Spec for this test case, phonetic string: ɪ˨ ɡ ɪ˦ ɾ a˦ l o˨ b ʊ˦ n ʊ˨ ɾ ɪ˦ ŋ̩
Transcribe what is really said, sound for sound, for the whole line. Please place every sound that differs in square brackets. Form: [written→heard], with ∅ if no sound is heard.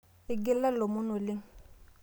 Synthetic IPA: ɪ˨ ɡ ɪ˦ [ɾ→l] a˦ l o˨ [b→m] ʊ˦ n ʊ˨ [ɾ→l] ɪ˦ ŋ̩